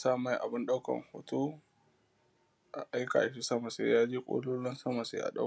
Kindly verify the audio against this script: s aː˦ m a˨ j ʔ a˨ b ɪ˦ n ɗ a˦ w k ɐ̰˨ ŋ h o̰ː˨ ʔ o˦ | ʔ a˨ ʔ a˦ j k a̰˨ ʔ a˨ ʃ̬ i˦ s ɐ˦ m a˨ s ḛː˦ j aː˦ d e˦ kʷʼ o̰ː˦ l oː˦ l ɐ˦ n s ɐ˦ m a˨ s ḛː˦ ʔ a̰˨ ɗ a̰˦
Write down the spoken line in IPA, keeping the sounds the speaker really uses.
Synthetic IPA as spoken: s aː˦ m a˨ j ʔ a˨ b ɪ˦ n ɗ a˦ w k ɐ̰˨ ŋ h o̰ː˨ t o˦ | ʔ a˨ ʔ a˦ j k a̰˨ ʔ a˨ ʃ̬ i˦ s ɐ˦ m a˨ s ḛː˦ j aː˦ d͡ʒ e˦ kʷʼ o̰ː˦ l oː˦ l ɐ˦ n s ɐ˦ m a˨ s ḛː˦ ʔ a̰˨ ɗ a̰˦